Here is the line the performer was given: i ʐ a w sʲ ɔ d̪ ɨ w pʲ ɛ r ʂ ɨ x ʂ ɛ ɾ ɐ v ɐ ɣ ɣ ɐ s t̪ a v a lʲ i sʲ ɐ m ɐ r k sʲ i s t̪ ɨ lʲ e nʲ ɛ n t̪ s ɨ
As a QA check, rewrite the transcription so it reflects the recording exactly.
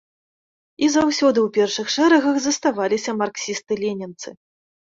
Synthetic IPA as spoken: i z a w sʲ ɔ d̪ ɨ w pʲ ɛ r ʂ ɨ x ʂ ɛ ɾ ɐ ɣ ɐ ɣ z ɐ s t̪ a v a lʲ i sʲ ɐ m a r k sʲ i s t̪ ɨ lʲ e nʲ ɛ n t̪ s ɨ